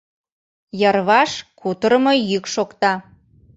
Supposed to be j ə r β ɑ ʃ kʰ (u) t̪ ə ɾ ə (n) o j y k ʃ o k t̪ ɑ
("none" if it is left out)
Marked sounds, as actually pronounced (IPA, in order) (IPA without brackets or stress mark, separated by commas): u, m